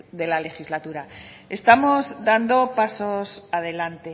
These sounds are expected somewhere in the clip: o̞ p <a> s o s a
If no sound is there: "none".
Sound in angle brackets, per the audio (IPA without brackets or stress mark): a